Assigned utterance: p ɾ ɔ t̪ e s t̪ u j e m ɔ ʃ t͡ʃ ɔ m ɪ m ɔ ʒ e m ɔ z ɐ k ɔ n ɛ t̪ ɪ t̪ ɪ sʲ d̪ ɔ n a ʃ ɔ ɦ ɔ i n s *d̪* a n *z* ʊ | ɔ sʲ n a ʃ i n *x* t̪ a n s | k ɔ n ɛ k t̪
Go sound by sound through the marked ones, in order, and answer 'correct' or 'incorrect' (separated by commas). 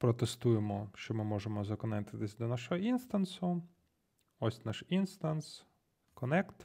incorrect, incorrect, incorrect